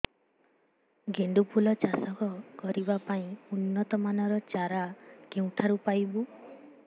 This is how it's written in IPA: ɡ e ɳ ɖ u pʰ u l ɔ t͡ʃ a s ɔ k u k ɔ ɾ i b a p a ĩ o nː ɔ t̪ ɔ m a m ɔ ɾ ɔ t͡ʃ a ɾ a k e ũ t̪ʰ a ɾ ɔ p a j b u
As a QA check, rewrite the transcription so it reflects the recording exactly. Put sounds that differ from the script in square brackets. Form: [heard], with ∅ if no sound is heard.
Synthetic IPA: ɡ e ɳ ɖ u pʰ u l ɔ t͡ʃ a s ɔ k [ɔ] k ɔ ɾ i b a p a ĩ [u] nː ɔ t̪ ɔ m a [n] ɔ ɾ ɔ t͡ʃ a ɾ a k e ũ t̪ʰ a ɾ [u] p a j b u